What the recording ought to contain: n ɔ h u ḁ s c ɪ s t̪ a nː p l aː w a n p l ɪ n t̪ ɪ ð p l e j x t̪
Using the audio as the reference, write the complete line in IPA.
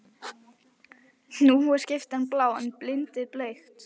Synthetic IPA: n u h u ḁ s c ɪ f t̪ a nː p l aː w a n p l ɪ n t̪ ɪ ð p l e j x t̪